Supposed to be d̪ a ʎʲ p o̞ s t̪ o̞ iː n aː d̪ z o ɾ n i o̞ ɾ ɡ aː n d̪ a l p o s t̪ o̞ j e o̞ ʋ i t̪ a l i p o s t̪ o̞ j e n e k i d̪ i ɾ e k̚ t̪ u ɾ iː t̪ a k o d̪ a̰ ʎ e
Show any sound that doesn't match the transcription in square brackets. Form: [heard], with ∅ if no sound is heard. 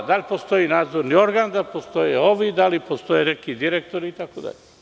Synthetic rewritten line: d̪ a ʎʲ p o̞ s t̪ o̞ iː n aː d̪ z o ɾ n i o̞ ɾ ɡ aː n d̪ a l p o s t̪ o̞ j e o̞ ʋ i [d̪] a l i p o s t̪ o̞ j e n e k i d̪ i ɾ e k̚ t̪ [o] ɾ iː t̪ a k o d̪ a̰ ʎ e